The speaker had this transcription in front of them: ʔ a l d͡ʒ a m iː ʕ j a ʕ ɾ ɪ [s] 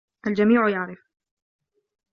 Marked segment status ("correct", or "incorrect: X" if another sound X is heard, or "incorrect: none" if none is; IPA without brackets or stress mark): incorrect: f